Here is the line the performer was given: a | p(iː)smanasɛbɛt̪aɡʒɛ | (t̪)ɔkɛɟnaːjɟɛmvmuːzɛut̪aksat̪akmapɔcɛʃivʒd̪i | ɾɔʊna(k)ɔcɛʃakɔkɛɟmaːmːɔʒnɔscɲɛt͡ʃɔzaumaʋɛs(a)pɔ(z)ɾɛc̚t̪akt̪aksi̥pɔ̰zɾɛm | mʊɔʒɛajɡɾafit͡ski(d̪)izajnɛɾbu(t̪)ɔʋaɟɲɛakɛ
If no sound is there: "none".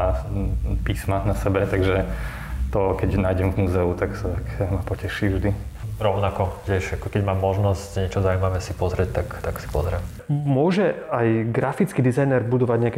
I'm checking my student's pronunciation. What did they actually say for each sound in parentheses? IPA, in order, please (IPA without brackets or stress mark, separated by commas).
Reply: iː, t̪, k, i, z, d̪, d̪